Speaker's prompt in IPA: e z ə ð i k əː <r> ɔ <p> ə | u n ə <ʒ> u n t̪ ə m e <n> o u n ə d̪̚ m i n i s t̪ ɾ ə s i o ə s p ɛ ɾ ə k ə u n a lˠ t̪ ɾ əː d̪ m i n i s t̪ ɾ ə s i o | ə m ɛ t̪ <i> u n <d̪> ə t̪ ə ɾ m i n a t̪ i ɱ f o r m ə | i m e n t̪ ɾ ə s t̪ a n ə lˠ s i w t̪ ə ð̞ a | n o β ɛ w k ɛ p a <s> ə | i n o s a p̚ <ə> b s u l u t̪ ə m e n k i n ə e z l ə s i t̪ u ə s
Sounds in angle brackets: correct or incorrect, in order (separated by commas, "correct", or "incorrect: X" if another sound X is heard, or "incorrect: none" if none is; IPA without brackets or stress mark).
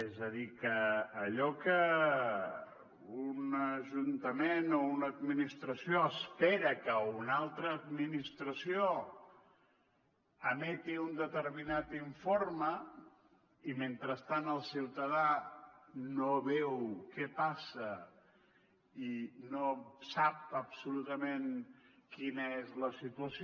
incorrect: ʎ, incorrect: k, correct, correct, correct, correct, correct, correct